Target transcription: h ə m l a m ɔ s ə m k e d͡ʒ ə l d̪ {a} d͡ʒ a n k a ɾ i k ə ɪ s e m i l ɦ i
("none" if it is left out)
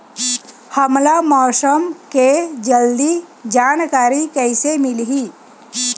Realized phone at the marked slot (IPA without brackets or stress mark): i